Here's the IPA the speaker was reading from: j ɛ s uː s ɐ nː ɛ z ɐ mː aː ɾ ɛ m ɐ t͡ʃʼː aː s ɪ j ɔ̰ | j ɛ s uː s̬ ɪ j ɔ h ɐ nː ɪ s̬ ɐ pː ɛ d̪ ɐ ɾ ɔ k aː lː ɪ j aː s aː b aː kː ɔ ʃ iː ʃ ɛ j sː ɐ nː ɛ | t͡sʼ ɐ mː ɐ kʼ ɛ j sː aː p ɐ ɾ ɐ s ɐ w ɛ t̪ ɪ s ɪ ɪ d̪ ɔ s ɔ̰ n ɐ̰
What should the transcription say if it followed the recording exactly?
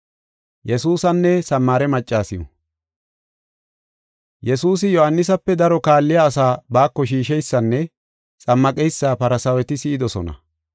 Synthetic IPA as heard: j ɛ s uː s ɐ nː ɛ s ɐ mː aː ɾ ɛ m ɐ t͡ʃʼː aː s ɪ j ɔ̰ | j ɛ s uː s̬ ɪ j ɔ h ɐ nː ɪ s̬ ɐ pː ɛ d̪ ɐ ɾ ɔ k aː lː ɪ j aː s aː b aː kː ɔ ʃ iː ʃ ɛ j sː ɐ nː ɛ | t͡sʼ ɐ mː ɐ kʼ ɛ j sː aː p ɐ ɾ ɐ s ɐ w ɛ t̪ ɪ s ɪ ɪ d̪ ɔ s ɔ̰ n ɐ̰